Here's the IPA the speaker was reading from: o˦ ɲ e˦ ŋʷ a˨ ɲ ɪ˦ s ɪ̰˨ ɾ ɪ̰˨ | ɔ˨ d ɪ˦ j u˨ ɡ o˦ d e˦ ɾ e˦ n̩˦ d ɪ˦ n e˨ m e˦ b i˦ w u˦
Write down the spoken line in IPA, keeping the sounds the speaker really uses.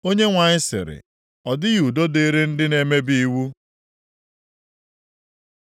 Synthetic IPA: o˦ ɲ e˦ ŋʷ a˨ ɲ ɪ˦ s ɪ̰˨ ɾ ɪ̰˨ | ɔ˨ d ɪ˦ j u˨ d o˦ d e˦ ɾ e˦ n̩˦ d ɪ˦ n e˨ m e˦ b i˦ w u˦